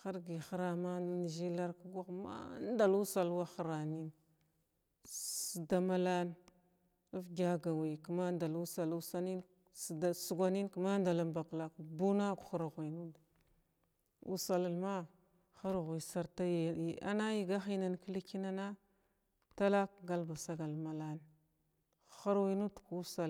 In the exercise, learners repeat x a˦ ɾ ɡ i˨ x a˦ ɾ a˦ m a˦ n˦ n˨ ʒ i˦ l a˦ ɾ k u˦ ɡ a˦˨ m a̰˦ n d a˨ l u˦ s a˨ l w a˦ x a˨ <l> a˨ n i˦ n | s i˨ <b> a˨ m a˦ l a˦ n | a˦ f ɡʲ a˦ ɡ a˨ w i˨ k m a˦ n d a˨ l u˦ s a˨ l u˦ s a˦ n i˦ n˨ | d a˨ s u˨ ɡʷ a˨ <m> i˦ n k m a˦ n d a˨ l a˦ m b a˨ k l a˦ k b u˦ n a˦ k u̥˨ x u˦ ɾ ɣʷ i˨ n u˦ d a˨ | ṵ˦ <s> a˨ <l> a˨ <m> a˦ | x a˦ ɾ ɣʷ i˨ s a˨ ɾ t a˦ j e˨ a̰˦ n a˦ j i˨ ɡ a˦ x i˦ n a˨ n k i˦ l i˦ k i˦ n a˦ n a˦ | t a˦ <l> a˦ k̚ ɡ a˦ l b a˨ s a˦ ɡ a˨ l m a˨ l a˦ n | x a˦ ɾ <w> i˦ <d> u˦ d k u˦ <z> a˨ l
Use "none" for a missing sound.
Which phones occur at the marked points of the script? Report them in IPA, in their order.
ɾ, d, n, s, l, m, l, w, n, s

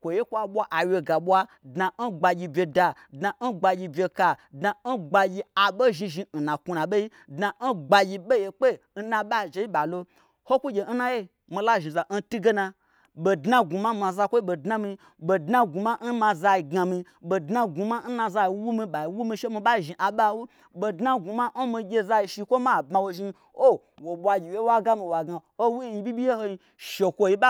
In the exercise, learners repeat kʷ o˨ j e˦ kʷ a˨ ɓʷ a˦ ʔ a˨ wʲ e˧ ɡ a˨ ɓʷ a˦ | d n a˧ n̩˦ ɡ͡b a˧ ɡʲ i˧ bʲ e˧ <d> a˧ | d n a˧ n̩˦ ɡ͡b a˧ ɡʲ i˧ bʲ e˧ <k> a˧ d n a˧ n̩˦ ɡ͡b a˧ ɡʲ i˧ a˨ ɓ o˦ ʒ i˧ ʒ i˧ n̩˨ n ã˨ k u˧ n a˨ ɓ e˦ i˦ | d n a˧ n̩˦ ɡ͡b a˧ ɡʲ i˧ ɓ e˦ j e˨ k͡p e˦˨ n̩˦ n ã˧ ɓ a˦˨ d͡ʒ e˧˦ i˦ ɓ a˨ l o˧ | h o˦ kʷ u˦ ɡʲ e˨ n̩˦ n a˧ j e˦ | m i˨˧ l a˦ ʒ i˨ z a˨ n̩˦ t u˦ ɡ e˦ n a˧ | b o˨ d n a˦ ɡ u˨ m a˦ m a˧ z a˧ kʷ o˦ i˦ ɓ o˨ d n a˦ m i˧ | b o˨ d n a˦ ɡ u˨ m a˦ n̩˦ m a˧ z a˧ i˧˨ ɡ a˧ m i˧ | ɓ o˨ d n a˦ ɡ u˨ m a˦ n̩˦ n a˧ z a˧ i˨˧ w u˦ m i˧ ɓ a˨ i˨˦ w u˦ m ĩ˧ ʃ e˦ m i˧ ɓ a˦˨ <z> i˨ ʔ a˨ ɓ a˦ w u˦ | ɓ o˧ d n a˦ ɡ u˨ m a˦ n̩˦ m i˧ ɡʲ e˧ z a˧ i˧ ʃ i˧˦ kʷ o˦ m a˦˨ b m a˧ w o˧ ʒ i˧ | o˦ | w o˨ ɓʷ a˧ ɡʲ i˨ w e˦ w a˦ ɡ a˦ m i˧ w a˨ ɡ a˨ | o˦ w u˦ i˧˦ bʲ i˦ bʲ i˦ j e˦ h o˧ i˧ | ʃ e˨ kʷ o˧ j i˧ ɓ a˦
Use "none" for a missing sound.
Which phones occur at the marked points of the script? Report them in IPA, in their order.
d, k, ʒ

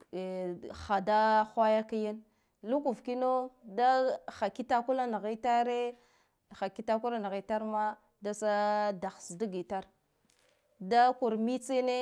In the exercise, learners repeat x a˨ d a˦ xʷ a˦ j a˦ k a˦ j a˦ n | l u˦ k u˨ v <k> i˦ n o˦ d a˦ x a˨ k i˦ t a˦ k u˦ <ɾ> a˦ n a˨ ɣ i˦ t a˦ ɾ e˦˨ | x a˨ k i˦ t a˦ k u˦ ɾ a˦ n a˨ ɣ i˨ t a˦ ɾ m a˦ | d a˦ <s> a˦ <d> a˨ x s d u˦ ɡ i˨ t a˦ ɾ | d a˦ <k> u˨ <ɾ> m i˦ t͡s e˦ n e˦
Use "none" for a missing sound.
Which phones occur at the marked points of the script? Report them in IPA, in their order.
k, l, s, d, k, ɾ

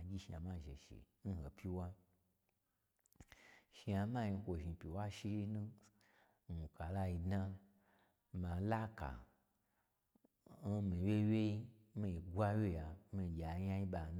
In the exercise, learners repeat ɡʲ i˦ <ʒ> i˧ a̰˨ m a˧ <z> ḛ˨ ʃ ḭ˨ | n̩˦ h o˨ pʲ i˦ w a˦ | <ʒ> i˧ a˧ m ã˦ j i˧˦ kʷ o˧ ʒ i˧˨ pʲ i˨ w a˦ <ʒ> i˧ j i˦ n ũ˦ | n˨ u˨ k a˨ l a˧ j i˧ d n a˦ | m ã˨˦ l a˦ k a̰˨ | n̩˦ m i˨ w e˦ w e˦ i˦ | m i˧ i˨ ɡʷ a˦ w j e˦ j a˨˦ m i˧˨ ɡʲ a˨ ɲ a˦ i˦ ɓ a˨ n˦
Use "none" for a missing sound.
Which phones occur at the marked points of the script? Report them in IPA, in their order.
ʃ, ʒ, ʃ, ʃ

